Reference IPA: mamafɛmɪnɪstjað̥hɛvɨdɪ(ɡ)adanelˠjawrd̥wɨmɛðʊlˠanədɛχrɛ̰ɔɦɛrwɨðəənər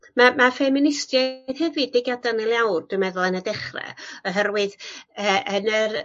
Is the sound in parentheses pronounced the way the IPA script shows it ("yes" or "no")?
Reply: yes